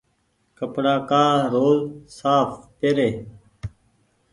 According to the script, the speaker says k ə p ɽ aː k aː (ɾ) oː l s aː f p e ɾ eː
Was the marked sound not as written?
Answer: no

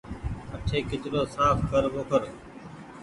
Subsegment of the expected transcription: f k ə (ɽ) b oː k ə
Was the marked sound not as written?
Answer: yes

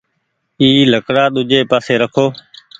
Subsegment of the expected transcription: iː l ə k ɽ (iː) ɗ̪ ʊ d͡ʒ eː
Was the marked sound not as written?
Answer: yes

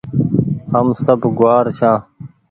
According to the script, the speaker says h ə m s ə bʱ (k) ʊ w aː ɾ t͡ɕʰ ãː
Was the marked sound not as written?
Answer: yes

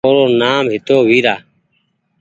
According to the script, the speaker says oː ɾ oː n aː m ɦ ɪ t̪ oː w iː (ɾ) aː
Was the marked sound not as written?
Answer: no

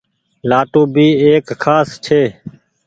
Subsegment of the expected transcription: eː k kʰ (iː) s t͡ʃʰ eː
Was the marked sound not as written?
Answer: yes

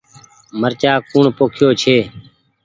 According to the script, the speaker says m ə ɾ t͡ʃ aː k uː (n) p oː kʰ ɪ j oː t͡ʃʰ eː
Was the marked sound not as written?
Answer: yes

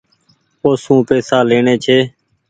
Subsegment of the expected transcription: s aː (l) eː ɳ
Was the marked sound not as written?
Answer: no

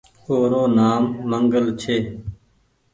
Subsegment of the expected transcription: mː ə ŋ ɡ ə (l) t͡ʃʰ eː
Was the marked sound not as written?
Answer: no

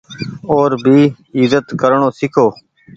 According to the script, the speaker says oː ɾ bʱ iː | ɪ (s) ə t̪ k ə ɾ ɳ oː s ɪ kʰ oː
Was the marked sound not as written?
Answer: yes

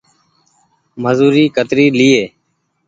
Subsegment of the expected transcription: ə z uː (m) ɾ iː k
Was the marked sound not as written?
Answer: yes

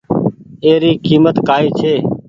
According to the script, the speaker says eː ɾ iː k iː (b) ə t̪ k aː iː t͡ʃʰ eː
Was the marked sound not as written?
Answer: yes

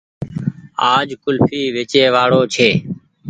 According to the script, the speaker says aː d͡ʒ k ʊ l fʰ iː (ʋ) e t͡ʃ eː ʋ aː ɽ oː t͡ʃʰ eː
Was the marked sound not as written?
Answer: no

